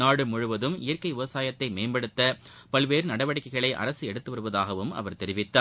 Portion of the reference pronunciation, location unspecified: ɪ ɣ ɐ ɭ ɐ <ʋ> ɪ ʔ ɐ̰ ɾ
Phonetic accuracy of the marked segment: incorrect: none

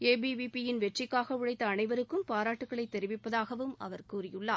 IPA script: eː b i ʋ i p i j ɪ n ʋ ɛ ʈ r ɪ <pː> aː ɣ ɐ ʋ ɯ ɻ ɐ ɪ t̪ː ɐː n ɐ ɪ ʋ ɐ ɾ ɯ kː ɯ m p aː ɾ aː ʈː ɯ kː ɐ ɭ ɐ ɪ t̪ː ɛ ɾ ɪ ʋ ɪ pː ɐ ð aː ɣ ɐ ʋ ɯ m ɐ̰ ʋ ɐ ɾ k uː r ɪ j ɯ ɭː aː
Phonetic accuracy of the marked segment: incorrect: kː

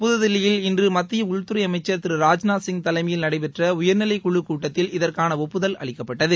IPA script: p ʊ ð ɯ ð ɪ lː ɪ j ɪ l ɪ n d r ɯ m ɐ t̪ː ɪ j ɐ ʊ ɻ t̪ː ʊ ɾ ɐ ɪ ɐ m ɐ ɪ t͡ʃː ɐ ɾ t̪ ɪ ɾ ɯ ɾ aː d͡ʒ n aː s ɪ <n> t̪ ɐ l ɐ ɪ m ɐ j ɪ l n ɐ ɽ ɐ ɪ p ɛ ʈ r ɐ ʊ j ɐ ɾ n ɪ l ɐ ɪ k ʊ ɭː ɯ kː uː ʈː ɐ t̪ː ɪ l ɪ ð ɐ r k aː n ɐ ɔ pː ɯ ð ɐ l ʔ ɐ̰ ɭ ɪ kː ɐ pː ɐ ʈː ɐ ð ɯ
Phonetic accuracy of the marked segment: incorrect: ŋ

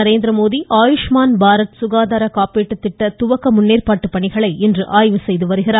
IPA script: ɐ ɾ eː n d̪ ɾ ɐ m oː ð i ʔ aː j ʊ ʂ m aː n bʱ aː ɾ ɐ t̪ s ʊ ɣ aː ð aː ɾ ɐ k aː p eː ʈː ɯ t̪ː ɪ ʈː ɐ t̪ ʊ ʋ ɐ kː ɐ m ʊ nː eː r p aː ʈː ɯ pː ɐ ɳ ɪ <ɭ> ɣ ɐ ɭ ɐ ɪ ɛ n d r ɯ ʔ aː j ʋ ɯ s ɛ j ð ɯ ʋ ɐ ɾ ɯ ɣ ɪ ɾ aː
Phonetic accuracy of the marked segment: incorrect: none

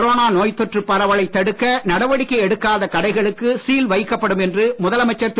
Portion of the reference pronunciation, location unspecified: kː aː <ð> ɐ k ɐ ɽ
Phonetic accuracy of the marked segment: correct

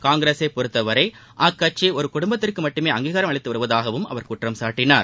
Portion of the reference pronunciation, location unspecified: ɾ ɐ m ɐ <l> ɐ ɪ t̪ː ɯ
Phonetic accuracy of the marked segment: incorrect: ɭ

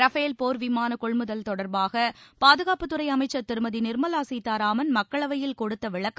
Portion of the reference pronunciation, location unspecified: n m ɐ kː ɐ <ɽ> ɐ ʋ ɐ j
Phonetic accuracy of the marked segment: incorrect: ɭ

